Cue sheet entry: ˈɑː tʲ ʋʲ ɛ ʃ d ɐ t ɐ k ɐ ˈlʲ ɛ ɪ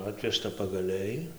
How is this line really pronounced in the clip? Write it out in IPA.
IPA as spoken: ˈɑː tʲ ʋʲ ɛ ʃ t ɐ p ɐ ɡ ɐ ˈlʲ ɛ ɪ